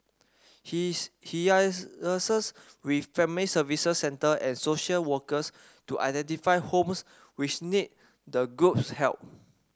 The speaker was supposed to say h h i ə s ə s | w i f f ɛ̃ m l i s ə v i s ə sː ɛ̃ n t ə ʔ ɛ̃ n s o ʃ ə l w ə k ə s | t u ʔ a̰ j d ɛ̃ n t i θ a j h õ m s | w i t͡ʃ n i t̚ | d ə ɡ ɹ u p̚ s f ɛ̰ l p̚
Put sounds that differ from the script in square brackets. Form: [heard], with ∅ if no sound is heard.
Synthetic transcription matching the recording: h h i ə s ə s | w i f f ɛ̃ m l i s ə v i s ə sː ɛ̃ n t ə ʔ ɛ̃ n s o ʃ ə l w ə k ə s | t u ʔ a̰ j d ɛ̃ n t i [f] a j h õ m s | w i t͡ʃ n i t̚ | d ə ɡ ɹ u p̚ s [h] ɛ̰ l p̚